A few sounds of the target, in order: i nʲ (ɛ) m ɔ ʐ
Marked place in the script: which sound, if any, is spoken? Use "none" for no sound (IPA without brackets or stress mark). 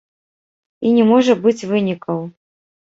ɛ